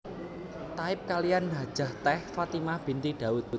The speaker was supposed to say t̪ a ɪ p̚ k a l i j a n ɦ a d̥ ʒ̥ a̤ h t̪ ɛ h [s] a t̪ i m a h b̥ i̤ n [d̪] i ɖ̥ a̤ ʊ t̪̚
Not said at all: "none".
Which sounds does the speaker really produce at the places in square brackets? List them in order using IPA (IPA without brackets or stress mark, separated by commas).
f, t̪